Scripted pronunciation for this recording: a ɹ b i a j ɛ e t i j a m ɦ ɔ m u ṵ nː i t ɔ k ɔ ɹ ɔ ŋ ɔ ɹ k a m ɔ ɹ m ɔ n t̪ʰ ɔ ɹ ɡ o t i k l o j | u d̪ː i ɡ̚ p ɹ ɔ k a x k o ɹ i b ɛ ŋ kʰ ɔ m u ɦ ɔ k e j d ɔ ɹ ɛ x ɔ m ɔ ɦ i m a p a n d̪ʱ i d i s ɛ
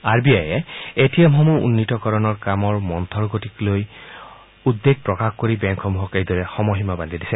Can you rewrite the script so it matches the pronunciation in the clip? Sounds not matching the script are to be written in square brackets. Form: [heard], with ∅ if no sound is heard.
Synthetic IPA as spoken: a ɹ b i a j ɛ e t i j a m ɦ ɔ m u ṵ nː i t ɔ k ɔ ɹ ɔ [n] ɔ ɹ k a m ɔ ɹ m ɔ n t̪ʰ ɔ ɹ ɡ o t i k l o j | u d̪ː [e] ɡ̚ p ɹ ɔ k a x k o ɹ i b ɛ ŋ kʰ ɔ m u ɦ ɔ k e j d ɔ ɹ ɛ x ɔ m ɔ ɦ i m a [b] a n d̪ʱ i d i s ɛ